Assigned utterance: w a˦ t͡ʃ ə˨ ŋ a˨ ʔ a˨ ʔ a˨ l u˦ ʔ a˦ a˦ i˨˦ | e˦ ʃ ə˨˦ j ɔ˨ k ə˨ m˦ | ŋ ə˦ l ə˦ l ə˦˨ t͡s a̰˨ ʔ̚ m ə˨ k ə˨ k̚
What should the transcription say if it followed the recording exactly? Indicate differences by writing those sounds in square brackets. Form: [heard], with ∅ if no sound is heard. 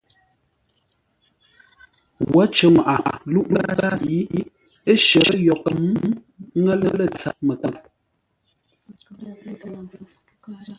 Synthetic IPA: w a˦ t͡ʃ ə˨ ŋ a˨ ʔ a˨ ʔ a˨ l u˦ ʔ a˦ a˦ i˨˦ | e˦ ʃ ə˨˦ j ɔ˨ k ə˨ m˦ | ŋ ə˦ l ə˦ l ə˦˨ t͡s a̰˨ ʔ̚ m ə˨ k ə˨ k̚